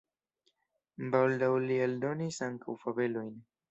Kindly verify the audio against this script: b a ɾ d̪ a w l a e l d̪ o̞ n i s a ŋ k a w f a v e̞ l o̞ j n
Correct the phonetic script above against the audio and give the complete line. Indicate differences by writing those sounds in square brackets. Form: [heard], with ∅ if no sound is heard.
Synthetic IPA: b a [l] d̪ a w l [i] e l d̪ o̞ n i s a ŋ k a w f a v e̞ l o̞ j n